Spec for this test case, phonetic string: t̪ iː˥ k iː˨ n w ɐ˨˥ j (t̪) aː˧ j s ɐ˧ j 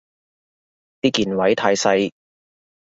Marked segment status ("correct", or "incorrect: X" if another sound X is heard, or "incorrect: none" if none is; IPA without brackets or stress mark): incorrect: t̪ʰ